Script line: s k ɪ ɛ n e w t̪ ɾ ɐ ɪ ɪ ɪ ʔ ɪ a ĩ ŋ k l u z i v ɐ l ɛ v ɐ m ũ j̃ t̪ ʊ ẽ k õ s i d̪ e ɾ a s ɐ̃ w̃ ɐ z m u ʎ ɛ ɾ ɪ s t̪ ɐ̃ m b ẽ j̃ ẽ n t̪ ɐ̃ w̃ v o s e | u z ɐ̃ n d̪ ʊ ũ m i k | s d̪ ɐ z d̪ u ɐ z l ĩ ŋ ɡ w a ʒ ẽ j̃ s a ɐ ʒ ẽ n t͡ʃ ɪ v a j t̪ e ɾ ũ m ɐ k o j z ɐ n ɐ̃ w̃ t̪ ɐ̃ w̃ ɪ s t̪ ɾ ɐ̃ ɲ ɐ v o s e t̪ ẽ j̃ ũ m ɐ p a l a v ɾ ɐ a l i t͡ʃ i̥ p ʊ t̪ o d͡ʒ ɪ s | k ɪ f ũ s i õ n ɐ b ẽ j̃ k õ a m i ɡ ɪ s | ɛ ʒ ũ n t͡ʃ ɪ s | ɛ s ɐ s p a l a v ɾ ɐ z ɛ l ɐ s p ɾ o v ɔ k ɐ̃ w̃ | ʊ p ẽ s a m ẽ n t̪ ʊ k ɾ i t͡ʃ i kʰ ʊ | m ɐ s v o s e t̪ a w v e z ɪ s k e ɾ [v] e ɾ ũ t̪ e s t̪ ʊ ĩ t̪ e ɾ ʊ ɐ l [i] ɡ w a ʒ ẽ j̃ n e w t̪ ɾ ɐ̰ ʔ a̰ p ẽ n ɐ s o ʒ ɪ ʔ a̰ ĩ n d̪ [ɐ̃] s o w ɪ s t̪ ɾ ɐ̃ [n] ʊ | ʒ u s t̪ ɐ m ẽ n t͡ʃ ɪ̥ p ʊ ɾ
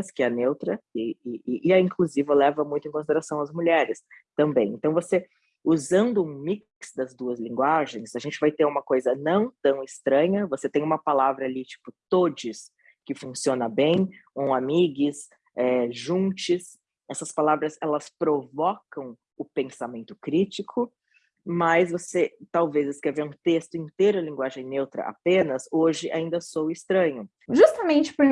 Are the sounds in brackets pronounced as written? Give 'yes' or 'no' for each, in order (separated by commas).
yes, no, no, no